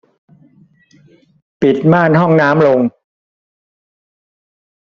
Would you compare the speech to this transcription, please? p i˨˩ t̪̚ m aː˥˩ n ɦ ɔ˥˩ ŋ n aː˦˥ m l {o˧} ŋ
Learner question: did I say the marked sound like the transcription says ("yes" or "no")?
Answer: yes